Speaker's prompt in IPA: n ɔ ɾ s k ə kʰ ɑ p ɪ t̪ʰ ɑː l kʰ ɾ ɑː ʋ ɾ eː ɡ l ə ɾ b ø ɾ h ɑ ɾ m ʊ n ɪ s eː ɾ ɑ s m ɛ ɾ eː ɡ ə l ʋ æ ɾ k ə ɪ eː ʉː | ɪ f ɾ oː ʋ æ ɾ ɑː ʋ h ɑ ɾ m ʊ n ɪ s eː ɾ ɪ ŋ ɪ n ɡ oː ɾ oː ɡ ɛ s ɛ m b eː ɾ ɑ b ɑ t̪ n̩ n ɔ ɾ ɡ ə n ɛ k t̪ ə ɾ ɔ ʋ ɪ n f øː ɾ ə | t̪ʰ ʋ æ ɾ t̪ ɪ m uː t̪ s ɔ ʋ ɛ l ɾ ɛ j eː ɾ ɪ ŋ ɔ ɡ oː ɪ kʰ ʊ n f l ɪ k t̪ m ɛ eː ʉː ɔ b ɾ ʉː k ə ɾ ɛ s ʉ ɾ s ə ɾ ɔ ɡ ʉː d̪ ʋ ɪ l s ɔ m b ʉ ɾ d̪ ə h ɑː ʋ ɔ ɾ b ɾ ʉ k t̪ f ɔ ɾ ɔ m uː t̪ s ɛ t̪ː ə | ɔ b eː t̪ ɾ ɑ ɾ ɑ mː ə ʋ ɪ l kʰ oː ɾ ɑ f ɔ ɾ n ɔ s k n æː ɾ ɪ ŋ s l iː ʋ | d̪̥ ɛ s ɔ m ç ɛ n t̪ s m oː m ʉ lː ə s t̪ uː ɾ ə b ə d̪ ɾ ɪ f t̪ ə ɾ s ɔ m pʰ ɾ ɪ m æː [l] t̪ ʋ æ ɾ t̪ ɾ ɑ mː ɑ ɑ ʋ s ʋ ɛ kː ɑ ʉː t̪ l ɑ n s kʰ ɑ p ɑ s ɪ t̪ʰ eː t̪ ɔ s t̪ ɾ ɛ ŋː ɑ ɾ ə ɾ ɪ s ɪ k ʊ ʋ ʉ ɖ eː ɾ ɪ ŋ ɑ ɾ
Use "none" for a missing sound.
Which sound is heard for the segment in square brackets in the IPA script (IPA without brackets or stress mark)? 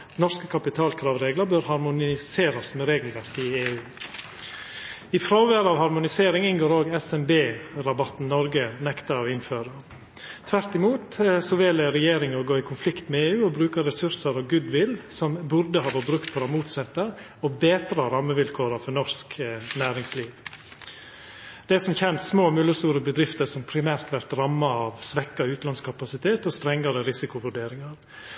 ɾ